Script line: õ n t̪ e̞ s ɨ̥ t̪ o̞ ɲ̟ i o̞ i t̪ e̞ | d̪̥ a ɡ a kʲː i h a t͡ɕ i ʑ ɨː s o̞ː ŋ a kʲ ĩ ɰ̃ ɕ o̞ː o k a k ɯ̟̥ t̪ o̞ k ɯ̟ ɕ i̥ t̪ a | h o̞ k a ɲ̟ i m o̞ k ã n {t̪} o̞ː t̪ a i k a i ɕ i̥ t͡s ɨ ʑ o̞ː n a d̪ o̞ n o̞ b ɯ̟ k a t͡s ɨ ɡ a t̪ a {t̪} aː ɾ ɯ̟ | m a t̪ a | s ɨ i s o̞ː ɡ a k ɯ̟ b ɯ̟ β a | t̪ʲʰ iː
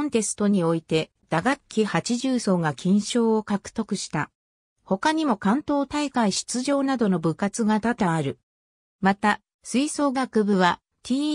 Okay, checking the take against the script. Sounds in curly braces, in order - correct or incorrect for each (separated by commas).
correct, correct